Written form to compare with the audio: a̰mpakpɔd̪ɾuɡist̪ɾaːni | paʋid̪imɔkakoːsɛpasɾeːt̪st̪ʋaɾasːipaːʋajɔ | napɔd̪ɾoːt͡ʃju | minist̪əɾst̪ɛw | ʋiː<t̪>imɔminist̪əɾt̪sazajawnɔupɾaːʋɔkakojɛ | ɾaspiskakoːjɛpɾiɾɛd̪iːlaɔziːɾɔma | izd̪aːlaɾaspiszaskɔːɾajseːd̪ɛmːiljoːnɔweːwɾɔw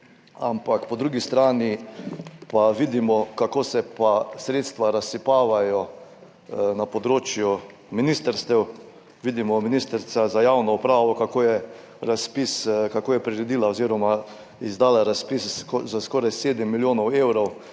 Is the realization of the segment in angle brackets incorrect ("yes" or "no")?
yes